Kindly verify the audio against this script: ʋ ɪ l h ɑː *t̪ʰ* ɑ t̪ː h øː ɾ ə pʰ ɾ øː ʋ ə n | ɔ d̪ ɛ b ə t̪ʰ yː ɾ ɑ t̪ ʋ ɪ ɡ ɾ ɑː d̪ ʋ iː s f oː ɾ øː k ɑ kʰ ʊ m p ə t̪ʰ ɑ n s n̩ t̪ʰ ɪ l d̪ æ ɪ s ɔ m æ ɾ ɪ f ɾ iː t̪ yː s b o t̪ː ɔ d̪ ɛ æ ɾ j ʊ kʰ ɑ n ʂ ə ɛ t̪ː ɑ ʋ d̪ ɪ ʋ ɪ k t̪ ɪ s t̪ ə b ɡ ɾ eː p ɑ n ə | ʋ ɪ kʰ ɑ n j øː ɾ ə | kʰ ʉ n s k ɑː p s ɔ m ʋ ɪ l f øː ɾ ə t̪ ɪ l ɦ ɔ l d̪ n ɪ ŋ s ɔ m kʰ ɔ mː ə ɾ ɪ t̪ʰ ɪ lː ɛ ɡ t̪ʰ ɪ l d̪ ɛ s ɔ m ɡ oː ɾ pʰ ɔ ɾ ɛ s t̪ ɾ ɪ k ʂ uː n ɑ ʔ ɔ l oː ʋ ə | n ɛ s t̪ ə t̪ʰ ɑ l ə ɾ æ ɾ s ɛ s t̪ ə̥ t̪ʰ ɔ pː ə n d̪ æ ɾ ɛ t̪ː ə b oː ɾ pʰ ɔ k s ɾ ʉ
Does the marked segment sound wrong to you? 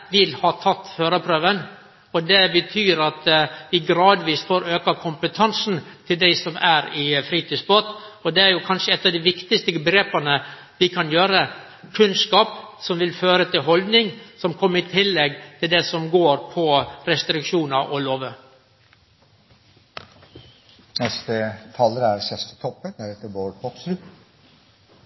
no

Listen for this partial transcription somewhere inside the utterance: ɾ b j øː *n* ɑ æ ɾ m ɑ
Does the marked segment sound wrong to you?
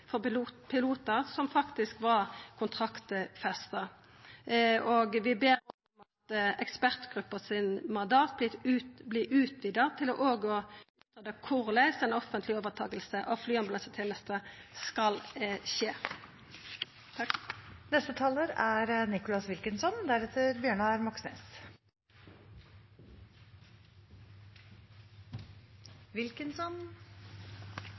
yes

